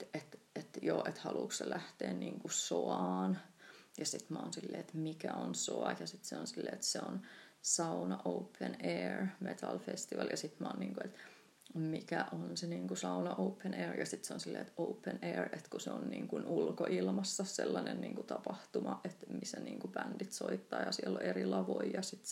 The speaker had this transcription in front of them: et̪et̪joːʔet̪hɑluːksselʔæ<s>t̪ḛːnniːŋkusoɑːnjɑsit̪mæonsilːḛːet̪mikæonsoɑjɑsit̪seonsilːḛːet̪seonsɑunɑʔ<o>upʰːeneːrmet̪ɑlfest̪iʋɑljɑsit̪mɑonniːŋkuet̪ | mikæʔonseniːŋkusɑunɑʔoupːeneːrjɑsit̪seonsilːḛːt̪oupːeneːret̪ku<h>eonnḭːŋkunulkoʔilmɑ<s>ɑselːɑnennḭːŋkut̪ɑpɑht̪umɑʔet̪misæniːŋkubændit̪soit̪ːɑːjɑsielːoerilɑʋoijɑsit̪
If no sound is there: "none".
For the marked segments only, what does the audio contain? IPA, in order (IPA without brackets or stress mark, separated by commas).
h, o, s, sː